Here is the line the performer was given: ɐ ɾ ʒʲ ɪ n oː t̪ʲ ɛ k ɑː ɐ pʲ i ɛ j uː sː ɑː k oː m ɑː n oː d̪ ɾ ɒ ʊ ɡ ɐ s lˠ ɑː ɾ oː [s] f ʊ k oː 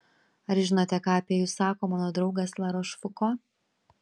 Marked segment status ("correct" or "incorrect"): incorrect